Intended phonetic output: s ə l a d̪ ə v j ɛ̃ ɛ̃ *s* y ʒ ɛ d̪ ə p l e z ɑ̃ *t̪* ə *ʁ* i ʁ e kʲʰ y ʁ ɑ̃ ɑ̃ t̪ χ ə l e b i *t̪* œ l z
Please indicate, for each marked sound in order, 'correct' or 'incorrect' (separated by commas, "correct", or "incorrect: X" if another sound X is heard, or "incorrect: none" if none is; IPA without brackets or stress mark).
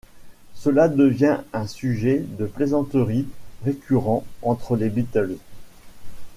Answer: correct, correct, correct, correct